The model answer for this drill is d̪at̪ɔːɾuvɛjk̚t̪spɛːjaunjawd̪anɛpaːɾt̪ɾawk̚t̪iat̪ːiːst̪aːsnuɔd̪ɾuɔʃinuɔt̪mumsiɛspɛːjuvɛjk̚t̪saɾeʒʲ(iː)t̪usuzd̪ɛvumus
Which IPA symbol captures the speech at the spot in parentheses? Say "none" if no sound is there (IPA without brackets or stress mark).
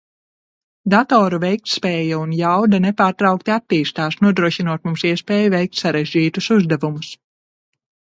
iː